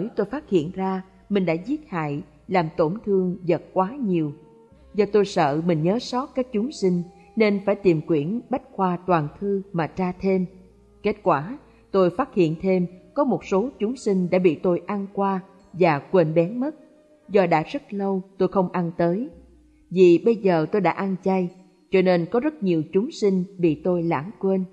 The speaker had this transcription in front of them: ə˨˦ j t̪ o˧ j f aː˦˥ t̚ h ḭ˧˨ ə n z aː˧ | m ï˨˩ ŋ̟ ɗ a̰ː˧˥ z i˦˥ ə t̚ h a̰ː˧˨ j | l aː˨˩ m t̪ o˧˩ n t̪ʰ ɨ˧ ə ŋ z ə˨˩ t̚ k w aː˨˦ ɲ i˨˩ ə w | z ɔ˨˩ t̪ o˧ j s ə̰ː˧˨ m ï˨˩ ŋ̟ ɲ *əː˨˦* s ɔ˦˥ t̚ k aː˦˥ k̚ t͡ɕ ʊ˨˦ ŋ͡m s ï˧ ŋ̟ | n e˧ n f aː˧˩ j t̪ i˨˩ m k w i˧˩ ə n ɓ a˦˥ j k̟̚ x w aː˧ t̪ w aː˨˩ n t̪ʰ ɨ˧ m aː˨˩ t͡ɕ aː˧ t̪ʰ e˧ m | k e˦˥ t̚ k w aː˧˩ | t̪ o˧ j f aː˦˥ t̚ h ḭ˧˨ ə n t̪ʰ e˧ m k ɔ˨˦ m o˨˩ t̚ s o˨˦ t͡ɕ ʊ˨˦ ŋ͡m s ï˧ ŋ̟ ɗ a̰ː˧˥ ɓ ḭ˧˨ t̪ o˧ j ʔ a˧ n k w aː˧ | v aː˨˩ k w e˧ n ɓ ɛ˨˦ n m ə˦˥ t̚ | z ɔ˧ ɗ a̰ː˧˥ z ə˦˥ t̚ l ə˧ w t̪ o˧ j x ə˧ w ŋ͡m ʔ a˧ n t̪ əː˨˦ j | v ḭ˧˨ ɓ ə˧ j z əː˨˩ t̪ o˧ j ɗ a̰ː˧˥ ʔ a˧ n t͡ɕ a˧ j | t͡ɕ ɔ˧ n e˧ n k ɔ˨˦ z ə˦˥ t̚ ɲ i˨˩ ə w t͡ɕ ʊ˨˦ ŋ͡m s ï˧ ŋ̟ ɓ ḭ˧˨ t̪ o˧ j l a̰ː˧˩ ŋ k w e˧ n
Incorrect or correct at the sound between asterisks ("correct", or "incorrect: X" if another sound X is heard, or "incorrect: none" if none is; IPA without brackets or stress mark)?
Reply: correct